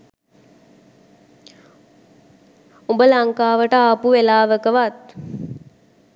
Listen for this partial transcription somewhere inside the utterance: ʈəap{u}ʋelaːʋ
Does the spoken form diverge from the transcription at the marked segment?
no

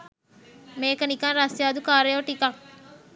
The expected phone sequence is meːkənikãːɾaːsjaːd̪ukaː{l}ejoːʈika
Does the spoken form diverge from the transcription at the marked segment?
yes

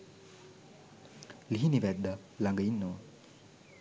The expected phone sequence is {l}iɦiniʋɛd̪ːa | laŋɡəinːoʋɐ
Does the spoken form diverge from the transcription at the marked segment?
no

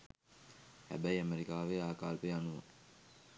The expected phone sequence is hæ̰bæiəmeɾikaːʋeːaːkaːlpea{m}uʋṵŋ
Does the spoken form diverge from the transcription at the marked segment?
yes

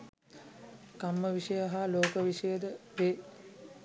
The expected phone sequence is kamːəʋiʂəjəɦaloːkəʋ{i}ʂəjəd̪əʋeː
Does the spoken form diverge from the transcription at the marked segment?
no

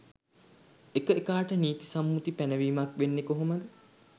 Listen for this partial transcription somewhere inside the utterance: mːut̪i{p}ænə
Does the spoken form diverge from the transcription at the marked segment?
no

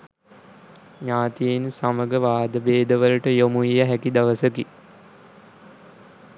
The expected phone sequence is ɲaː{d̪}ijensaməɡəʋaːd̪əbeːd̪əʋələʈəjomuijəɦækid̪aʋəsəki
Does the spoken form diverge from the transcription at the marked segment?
yes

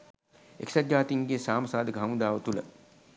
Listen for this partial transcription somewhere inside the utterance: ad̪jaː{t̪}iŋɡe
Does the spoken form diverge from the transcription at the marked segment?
no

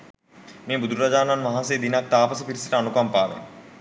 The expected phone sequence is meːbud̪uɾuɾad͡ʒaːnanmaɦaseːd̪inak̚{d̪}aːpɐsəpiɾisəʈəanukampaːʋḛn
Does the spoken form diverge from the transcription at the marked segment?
yes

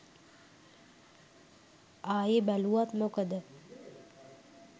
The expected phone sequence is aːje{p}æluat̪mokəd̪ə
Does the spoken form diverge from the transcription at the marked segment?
yes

